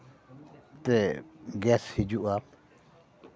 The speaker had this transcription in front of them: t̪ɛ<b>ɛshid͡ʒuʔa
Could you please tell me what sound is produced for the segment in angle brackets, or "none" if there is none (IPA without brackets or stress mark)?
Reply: ɡ